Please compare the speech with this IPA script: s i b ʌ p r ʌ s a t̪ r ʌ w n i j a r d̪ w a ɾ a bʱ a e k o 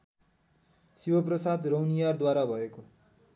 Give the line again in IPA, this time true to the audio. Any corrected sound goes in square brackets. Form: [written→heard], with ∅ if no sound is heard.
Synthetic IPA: s i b ʌ p r ʌ s a [t̪→d̪] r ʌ w n i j a r d̪ w a ɾ a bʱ [a→ʌ] e k o